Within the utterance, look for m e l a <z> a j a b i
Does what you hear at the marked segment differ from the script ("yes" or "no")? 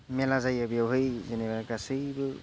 no